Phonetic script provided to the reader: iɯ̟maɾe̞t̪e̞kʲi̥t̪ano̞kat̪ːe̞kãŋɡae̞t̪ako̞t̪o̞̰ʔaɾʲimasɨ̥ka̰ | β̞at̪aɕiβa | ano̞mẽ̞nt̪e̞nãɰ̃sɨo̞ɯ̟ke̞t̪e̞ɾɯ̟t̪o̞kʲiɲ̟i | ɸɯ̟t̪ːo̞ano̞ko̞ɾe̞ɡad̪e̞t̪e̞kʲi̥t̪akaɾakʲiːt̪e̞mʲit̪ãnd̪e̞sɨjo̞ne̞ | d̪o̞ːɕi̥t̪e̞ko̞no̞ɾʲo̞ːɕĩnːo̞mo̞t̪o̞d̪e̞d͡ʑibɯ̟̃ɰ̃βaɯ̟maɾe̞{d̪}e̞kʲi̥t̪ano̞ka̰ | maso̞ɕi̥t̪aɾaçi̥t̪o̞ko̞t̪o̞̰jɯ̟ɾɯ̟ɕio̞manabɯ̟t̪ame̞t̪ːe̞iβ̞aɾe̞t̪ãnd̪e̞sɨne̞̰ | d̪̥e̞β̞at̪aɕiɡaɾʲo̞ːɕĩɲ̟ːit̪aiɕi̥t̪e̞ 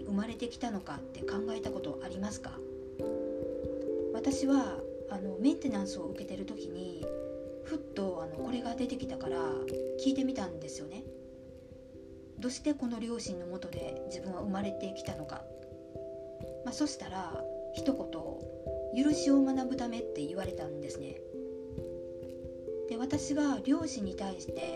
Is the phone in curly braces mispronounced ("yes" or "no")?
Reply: yes